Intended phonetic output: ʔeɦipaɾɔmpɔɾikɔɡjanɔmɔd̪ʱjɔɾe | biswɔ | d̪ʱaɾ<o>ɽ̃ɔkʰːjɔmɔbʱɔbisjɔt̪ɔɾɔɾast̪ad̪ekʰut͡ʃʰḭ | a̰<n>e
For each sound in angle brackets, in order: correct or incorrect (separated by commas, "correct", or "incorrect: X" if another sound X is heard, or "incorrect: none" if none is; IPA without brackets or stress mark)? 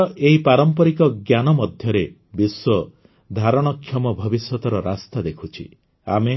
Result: incorrect: ɔ, incorrect: m